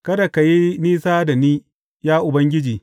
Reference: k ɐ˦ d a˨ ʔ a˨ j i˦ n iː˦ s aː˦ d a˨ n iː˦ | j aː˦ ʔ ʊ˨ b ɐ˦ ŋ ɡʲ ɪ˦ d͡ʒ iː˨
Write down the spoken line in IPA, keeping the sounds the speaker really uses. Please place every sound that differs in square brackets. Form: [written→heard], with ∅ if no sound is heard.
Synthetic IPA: k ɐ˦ d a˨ [ʔ→k] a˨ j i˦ n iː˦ s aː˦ d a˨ n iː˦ | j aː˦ ʔ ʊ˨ b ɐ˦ ŋ ɡʲ ɪ˦ d͡ʒ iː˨